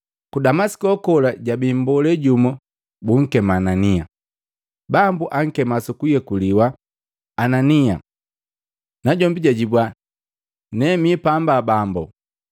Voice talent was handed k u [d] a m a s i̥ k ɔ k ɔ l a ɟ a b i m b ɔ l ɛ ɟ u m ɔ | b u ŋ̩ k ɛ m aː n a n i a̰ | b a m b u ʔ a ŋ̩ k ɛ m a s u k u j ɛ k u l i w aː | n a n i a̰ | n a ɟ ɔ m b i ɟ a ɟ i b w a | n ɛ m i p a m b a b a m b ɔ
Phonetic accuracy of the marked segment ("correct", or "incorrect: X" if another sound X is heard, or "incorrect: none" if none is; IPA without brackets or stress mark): correct